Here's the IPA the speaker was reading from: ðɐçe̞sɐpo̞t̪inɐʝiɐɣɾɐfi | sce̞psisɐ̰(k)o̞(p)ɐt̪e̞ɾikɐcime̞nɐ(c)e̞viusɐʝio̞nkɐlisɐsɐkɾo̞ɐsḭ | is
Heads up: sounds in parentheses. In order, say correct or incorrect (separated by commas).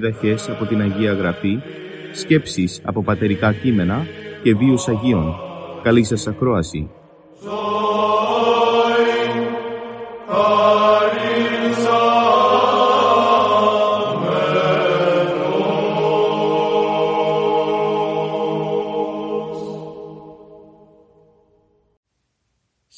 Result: incorrect, correct, correct